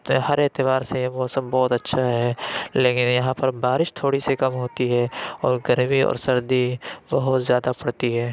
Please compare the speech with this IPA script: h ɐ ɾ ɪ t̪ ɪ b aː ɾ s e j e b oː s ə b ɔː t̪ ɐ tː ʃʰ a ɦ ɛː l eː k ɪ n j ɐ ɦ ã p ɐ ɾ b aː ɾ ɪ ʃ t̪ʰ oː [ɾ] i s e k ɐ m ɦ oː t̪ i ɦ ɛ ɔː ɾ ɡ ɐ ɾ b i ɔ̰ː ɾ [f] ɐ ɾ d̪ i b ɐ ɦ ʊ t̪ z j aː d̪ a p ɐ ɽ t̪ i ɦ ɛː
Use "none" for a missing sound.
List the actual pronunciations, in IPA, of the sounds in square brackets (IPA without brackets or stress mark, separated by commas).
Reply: ɽ, s